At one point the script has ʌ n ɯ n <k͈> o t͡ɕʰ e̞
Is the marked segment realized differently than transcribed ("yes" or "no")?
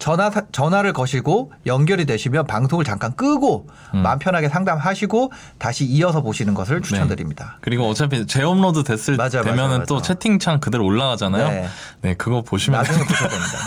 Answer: yes